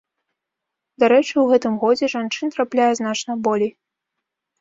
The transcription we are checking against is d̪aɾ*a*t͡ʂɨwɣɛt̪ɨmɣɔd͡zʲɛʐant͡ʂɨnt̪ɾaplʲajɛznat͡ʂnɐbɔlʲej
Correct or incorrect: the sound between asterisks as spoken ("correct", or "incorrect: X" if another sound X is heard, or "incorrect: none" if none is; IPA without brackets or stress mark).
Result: incorrect: ɛ